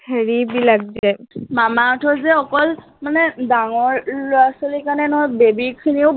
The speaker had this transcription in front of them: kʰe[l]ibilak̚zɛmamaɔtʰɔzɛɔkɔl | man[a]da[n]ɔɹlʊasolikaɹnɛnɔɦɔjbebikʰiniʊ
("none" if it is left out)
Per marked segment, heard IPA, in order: ɹ, ɛ, ŋ

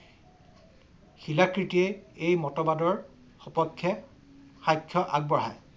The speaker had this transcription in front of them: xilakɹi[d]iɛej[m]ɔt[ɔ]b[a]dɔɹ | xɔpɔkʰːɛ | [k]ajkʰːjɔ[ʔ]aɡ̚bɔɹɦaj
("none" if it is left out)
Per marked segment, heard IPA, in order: t, m, ɔ, a, x, ʔ

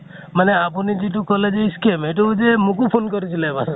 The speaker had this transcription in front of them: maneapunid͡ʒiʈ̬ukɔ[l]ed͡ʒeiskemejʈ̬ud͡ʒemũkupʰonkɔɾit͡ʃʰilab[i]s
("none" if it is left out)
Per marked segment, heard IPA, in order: l, a

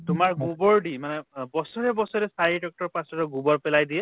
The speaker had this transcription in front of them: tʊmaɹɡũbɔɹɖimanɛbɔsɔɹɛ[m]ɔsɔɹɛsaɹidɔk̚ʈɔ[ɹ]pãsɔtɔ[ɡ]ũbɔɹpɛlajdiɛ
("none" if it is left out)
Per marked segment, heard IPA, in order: b, ɹ, ɡ

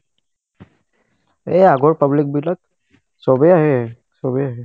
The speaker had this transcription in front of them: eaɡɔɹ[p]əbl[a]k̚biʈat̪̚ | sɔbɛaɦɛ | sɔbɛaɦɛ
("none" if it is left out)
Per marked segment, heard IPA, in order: p, i

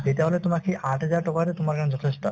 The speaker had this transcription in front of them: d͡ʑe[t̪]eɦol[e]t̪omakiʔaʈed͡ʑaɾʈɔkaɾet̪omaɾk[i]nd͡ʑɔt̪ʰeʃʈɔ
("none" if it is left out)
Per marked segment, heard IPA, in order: t̪, e, a

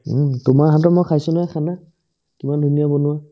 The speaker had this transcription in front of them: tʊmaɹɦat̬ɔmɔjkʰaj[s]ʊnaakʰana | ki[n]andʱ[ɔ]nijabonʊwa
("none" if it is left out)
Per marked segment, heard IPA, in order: s, m, u

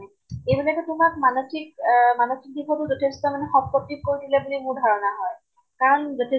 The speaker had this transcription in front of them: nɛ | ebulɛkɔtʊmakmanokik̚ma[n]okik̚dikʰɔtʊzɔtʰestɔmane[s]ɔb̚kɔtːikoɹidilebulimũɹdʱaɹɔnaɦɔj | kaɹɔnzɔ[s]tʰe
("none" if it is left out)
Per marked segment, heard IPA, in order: n, x, none

